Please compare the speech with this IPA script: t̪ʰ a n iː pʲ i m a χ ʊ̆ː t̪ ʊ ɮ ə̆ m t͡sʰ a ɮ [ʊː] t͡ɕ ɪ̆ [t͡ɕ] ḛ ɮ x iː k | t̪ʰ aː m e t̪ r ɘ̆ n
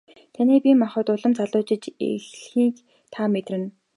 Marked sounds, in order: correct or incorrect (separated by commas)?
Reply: correct, correct